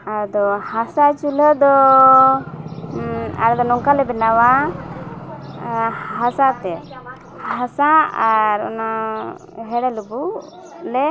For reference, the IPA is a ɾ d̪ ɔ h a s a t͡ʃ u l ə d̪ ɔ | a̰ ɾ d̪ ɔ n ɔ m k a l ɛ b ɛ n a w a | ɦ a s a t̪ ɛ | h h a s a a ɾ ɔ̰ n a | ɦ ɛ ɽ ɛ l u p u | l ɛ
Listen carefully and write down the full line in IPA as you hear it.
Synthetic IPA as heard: a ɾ d̪ ɔ h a s a t͡ʃ u l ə d̪ ɔ | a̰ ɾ d̪ ɔ n ɔ ŋ k a l ɛ b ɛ n a w a | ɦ a s a t̪ ɛ | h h a s a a ɾ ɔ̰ n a | ɦ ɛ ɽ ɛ l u b u | l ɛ